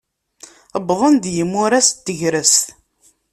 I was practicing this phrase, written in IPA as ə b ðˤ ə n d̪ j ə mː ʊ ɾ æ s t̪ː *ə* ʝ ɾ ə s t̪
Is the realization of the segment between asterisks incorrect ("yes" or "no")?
no